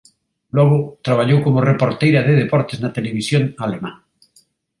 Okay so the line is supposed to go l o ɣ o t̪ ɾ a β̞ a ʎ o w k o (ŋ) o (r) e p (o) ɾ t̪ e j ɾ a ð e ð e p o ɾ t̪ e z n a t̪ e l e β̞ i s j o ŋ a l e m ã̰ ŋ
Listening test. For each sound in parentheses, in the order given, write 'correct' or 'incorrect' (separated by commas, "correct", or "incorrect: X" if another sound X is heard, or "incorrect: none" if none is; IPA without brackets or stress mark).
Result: incorrect: m, correct, correct